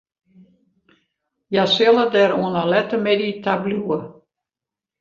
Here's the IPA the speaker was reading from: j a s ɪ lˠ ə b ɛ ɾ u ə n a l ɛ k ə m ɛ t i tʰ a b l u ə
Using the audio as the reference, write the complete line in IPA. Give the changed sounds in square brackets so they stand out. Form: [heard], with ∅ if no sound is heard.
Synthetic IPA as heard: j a s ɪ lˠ ə [d] ɛ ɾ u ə n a l ɛ [t] ə m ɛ [d] i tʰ a b l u ə

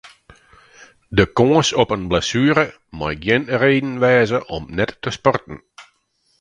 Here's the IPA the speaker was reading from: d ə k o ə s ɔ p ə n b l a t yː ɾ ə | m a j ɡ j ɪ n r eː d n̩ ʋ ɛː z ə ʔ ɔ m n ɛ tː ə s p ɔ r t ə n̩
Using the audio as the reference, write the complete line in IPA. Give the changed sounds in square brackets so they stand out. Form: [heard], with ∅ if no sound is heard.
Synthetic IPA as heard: d ə k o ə s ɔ p ə n b l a [s] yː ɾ ə | m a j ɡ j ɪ n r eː d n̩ ʋ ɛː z ə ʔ ɔ m n ɛ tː ə s p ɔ r t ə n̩

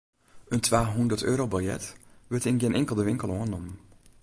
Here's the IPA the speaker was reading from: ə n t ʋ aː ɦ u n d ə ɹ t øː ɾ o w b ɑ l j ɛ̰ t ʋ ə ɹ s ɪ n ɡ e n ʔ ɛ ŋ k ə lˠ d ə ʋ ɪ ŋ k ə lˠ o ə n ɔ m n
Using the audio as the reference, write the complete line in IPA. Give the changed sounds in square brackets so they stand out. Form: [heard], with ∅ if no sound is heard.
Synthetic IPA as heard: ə n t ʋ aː ɦ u n d ə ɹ t øː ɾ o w b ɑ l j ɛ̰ t ʋ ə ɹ [t] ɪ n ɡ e n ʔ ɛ ŋ k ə lˠ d ə ʋ ɪ ŋ k ə lˠ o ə n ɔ m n

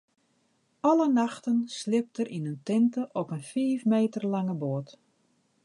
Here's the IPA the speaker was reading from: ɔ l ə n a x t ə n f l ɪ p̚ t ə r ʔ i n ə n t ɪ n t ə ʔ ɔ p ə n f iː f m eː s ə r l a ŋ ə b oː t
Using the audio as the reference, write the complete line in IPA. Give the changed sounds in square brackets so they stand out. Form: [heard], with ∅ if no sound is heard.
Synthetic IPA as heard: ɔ l ə n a x t ə n [s] l ɪ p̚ t ə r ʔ i n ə n t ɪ n t ə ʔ ɔ p ə n f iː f m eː [t] ə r l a ŋ ə b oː t

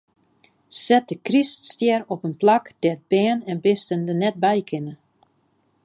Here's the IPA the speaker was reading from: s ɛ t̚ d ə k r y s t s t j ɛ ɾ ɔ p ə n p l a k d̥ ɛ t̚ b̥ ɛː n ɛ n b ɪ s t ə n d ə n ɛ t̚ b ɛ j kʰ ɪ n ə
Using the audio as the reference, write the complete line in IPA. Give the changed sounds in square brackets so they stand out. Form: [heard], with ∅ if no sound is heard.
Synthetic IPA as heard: s ɛ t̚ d ə k r [i] s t s t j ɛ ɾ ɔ p ə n p l a k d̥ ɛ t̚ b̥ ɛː n ɛ n b ɪ s t ə n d ə n ɛ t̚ b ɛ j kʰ ɪ n ə

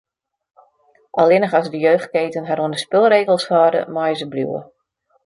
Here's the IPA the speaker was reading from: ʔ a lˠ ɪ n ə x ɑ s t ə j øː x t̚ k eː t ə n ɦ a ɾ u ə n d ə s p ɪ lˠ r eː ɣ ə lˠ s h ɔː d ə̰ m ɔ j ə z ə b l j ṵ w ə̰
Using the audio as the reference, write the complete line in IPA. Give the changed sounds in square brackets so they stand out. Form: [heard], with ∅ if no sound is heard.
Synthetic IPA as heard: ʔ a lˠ ɪ n ə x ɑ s [d] ə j øː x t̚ k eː t ə n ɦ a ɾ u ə n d ə s p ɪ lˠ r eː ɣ ə lˠ s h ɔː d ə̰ m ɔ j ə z ə b l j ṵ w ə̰

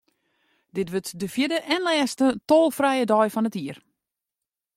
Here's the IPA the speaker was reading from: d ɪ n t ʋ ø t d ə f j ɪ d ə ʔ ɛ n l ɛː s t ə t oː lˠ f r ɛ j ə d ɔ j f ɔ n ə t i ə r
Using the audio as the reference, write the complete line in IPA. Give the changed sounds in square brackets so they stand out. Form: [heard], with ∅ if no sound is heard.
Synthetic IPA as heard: d ɪ [∅] t ʋ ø t d ə f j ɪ d ə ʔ ɛ n l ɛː s t ə t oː lˠ f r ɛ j ə d ɔ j f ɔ n ə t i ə r

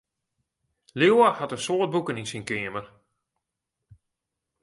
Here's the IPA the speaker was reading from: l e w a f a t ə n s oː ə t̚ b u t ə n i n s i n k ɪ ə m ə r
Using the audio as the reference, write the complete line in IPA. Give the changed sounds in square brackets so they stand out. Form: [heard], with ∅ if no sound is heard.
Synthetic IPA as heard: l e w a [h] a t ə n s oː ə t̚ b u [k] ə n i n s i n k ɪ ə m ə r

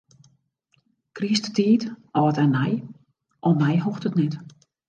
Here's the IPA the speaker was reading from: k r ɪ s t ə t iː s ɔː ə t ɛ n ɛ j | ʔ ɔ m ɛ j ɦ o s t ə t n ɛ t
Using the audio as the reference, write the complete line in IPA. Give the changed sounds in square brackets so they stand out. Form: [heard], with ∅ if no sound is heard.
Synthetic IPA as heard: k r [i] s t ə t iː [t] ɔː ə t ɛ n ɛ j | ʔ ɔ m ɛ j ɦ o [x] t ə t n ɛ t

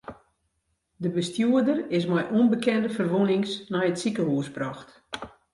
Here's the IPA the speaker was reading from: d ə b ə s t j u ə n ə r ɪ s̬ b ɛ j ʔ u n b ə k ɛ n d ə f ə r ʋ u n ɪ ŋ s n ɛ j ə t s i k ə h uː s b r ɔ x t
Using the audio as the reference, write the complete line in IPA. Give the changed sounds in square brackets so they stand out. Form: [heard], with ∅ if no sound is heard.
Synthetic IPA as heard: d ə b ə s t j u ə [d] ə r ɪ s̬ [m] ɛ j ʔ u n b ə k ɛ n d ə f ə r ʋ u n ɪ ŋ s n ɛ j ə t s i k ə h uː s b r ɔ x t

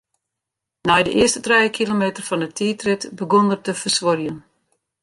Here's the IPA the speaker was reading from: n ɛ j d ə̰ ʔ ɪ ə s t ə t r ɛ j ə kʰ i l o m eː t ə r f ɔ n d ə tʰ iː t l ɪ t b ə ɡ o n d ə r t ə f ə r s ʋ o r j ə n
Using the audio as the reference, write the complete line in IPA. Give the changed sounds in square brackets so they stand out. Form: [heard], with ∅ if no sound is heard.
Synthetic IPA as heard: n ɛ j d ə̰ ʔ ɪ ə s t ə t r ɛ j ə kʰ i l o m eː t ə r f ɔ n d ə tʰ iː t [r] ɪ t b ə ɡ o n d ə r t ə f ə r s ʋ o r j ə n

